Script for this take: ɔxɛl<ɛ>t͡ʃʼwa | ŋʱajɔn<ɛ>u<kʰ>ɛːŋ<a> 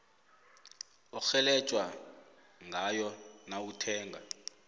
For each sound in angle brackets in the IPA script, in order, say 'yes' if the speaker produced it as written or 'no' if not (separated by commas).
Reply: yes, no, no, yes